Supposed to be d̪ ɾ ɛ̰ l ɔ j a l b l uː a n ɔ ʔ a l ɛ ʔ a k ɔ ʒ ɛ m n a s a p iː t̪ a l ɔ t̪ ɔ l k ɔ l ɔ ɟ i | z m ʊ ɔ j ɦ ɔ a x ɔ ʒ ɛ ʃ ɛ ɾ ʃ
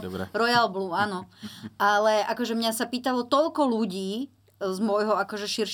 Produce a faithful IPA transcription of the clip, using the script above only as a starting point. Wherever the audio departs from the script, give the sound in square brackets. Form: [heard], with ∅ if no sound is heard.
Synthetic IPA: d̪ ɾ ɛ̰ [ɾ] ɔ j a l b l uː a n ɔ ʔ a l ɛ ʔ a k ɔ ʒ ɛ m [ɲ] a s a p iː t̪ a l ɔ t̪ ɔ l k ɔ l [u] ɟ [iː] | z m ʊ ɔ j ɦ ɔ a [k] ɔ ʒ ɛ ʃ [i] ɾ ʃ